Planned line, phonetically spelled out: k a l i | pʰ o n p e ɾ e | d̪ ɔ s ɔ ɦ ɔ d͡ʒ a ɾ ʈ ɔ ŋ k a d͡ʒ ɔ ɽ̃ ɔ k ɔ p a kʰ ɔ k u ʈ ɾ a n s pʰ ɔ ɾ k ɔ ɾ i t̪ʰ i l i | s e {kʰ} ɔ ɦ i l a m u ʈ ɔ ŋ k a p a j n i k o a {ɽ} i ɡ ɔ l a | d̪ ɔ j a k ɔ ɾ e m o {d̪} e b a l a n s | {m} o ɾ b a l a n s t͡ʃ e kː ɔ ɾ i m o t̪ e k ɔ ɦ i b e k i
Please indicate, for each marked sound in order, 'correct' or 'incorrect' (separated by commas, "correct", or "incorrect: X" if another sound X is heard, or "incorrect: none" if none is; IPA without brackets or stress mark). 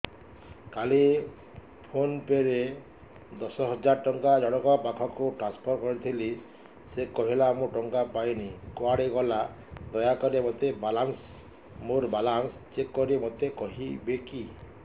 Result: incorrect: k, correct, incorrect: t̪, correct